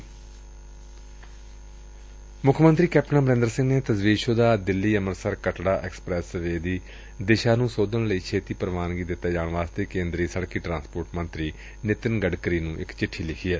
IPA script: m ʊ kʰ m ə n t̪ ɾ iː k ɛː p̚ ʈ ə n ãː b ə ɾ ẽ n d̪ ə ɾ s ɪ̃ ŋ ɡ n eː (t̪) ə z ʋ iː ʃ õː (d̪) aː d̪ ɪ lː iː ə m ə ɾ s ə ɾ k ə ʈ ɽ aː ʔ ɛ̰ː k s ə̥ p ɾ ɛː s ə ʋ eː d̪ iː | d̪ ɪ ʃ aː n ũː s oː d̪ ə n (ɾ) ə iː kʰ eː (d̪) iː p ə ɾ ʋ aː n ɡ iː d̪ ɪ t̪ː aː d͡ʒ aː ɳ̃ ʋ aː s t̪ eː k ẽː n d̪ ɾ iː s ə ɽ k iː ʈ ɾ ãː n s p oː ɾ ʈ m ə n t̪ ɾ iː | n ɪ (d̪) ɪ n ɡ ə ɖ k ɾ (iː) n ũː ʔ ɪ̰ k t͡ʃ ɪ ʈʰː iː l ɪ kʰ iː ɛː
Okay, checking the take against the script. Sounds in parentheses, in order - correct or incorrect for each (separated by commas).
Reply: correct, correct, incorrect, incorrect, incorrect, correct